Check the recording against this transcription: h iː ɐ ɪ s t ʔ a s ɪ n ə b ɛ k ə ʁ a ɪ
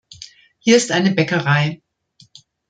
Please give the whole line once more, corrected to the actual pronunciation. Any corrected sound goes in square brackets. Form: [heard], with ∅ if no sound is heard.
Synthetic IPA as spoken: h iː ɐ ɪ s t ʔ a [∅] ɪ n ə b ɛ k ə ʁ a ɪ

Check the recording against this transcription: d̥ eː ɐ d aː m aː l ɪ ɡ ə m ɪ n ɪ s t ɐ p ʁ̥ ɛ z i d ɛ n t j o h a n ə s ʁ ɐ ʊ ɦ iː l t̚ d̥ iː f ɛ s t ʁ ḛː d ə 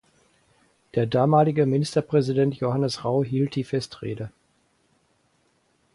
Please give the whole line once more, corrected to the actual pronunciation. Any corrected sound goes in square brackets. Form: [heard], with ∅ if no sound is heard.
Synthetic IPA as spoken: d̥ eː ɐ d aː m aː l ɪ ɡ ə m ɪ n ɪ s t ɐ p ʁ̥ ɛ z i d ɛ n t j o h a n ə s ʁ [a] ʊ ɦ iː l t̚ d̥ iː f ɛ s t ʁ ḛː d ə

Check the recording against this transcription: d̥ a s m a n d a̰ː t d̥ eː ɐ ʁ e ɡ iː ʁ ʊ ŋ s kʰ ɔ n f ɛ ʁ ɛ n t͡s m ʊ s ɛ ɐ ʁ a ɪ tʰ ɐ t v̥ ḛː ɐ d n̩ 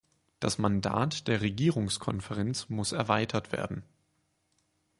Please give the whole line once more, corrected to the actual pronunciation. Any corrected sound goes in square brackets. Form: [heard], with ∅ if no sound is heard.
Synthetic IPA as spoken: d̥ a s m a n d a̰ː t d̥ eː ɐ ʁ e ɡ iː ʁ ʊ ŋ s kʰ ɔ n f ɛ ʁ ɛ n t͡s m ʊ s ɛ ɐ [v] a ɪ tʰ ɐ t v̥ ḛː ɐ d n̩

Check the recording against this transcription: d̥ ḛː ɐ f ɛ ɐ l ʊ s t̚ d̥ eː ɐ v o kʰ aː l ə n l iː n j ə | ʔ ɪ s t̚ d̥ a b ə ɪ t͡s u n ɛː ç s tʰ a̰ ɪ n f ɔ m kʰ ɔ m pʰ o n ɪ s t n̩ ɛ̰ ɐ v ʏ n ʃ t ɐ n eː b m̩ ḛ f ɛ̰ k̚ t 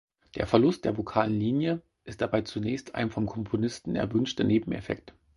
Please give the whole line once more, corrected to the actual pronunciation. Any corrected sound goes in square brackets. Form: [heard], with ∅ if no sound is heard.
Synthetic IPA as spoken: d̥ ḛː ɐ f ɛ ɐ l ʊ s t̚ d̥ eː ɐ v o kʰ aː l ə n l iː n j ə | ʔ ɪ s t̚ d̥ a b [a] ɪ t͡s u n ɛː ç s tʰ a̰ ɪ n f ɔ m kʰ ɔ m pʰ o n ɪ s t n̩ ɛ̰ ɐ v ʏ n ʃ t ɐ n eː b m̩ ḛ f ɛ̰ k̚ t

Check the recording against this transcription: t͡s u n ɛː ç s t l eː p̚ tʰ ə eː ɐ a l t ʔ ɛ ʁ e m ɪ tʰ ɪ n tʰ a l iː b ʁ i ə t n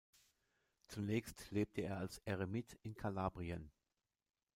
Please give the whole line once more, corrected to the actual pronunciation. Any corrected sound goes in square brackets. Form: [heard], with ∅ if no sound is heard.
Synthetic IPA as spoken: t͡s u n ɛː ç s t l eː p̚ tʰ ə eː ɐ a l [s] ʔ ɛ ʁ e m ɪ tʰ ɪ n [kʰ] a l [aː] b ʁ i ə [∅] n

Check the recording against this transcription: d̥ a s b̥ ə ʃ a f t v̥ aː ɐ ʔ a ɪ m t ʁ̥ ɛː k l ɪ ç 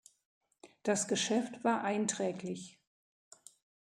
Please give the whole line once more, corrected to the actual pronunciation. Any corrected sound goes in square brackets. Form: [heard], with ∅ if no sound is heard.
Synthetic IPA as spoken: d̥ a s [ɡ̥] ə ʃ [ɛ] f t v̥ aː ɐ ʔ a ɪ [n] t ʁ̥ ɛː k l ɪ ç

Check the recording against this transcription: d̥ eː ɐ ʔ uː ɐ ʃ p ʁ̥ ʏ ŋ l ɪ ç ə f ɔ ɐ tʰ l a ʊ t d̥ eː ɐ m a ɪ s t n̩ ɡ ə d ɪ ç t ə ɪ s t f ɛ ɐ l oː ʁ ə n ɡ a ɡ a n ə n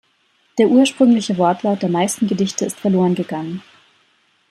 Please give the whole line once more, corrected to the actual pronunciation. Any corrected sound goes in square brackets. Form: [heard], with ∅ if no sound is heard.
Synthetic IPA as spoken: d̥ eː ɐ ʔ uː ɐ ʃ p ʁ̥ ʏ ŋ l ɪ ç ə [v] ɔ ɐ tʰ l a ʊ t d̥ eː ɐ m a ɪ s t n̩ ɡ ə d ɪ ç t ə ɪ s t f ɛ ɐ l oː ʁ ə n ɡ [ə] ɡ a [ŋ] ə n

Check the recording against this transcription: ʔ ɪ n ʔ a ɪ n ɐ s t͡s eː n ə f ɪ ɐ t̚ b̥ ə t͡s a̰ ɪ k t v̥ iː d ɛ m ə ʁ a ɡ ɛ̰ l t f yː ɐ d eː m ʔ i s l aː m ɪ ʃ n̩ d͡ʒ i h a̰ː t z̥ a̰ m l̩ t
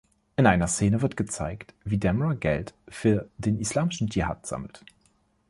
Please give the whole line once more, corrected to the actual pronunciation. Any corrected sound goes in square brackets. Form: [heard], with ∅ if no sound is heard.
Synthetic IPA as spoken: ʔ ɪ n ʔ a ɪ n ɐ s t͡s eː n ə [v] ɪ ɐ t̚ [ɡ̥] ə t͡s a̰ ɪ k t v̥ iː d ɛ m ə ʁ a ɡ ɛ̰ l t f yː ɐ d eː [n] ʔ i s l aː m ɪ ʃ n̩ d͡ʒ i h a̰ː t z̥ a̰ m l̩ t

